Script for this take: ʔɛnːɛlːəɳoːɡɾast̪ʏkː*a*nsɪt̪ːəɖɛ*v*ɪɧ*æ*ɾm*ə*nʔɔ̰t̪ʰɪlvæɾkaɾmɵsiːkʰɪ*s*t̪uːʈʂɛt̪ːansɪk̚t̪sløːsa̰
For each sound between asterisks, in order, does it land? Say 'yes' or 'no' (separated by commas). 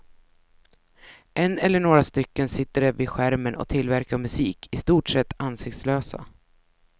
no, yes, yes, yes, yes